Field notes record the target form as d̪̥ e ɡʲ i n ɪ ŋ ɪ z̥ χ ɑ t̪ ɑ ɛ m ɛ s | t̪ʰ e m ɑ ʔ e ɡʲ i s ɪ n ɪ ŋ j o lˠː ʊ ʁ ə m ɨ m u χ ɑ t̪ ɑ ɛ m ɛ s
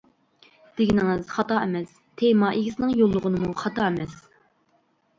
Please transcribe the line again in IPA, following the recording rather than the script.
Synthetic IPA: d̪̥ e ɡʲ i n ɪ ŋ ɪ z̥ χ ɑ t̪ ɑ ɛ m ɛ s | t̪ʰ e m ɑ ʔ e ɡʲ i s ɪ n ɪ ŋ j o lˠː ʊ ʁ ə n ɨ m u χ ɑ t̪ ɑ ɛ m ɛ s